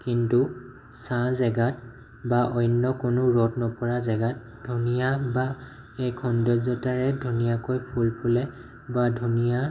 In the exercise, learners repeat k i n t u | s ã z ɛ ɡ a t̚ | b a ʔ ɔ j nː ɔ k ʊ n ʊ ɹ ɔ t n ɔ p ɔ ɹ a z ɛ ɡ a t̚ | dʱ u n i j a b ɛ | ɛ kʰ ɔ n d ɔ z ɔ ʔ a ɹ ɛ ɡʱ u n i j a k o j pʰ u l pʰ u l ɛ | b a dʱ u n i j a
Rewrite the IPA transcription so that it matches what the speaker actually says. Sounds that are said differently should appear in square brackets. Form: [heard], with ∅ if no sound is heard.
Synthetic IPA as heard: k i n t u | s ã z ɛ ɡ a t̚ | b a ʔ ɔ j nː ɔ k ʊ n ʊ ɹ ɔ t n ɔ p ɔ ɹ a z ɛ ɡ a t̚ | dʱ u n i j a b [a] | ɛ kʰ ɔ n d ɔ z ɔ [t] a ɹ ɛ [dʱ] u n i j a k o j pʰ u l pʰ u l ɛ | b a dʱ u n i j a